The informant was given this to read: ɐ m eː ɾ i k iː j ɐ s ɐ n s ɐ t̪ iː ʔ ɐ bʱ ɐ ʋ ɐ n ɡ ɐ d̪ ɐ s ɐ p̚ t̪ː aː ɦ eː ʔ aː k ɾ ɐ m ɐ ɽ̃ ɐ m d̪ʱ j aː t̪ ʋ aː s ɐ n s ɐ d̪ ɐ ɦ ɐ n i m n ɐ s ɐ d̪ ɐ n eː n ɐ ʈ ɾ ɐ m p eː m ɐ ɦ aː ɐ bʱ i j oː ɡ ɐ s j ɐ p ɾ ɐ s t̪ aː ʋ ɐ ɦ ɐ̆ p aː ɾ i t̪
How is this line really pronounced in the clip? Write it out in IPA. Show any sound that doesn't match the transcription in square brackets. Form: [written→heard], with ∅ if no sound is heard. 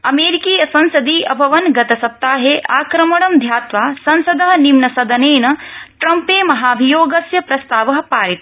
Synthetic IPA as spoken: ɐ m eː ɾ i k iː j ɐ s ɐ n s ɐ [t̪→d̪] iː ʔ ɐ bʱ ɐ ʋ ɐ n ɡ ɐ [d̪→t̪] ɐ s ɐ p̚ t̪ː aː ɦ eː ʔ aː k ɾ ɐ m ɐ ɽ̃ ɐ m d̪ʱ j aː t̪ ʋ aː s ɐ n s ɐ d̪ ɐ ɦ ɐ n i m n ɐ s ɐ d̪ ɐ n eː n ɐ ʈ ɾ ɐ m p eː m ɐ ɦ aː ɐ bʱ i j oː ɡ ɐ s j ɐ p ɾ ɐ s t̪ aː ʋ ɐ ɦ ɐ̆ p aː ɾ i t̪

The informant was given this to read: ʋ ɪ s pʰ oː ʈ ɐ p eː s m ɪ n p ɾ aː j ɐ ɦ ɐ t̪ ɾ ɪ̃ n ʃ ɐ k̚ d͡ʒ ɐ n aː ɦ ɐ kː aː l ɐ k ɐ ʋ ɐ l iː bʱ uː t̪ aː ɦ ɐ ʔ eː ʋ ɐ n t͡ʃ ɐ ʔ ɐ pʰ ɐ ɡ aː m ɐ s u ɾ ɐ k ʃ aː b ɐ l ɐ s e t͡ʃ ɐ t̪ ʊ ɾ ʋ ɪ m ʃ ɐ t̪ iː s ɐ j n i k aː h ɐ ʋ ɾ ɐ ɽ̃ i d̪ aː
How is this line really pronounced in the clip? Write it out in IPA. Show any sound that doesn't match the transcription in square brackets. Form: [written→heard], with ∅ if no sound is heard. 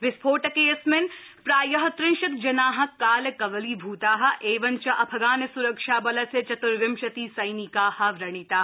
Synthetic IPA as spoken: ʋ ɪ s pʰ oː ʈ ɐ [p→k] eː s m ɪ n p ɾ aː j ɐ ɦ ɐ t̪ ɾ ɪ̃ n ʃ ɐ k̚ d͡ʒ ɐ n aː ɦ ɐ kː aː l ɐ k ɐ ʋ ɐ l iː bʱ uː t̪ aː ɦ ɐ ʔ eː ʋ ɐ n t͡ʃ ɐ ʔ ɐ pʰ ɐ ɡ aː [m→n] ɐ s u ɾ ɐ k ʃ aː b ɐ l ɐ s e t͡ʃ ɐ t̪ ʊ ɾ ʋ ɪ m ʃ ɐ t̪ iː s ɐ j n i k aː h ɐ ʋ ɾ ɐ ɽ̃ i [d̪→t̪] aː

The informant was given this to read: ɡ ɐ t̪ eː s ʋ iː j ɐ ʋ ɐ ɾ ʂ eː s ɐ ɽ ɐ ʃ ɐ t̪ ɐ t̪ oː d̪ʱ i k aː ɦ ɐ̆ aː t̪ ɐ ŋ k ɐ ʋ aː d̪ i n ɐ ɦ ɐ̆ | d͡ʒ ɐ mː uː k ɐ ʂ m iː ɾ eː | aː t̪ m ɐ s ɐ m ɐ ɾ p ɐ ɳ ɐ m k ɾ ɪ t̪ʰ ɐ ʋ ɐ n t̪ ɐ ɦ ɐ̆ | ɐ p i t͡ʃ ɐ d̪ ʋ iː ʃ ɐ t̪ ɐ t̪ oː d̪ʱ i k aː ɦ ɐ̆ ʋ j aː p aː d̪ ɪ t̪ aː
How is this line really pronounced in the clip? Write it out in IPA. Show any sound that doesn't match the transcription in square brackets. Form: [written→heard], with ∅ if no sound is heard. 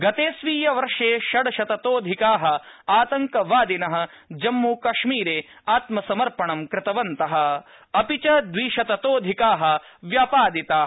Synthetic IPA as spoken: ɡ ɐ t̪ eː s ʋ iː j ɐ ʋ ɐ ɾ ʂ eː [s→ʃ] ɐ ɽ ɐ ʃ ɐ t̪ ɐ t̪ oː d̪ʱ i k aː ɦ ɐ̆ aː t̪ ɐ ŋ k ɐ ʋ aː d̪ i n ɐ ɦ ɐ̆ | d͡ʒ ɐ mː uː k ɐ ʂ m iː ɾ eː | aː t̪ m ɐ s ɐ m ɐ ɾ p ɐ ɳ ɐ m k ɾ ɪ [t̪ʰ→t̪] ɐ ʋ ɐ n t̪ ɐ ɦ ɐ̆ | ɐ p i t͡ʃ ɐ d̪ ʋ iː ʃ ɐ t̪ ɐ t̪ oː d̪ʱ i k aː ɦ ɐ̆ ʋ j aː p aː d̪ [ɪ→i] t̪ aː

